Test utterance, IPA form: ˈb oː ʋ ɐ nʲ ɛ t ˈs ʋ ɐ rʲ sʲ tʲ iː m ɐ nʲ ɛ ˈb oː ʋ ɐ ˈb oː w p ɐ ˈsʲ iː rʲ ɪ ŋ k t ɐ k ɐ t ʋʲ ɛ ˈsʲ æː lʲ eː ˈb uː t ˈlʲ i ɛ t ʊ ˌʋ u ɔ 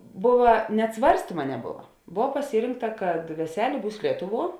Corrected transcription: ˈb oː ʋ ɐ nʲ ɛ t ˈs ʋ ɐ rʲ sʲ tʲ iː m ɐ nʲ ɛ ˈb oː ʋ ɐ ˈb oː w p ɐ ˈsʲ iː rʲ ɪ ŋ k t ɐ k ɐ t ʋʲ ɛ ˈsʲ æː lʲ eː ˈb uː s ˈlʲ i ɛ t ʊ ˌʋ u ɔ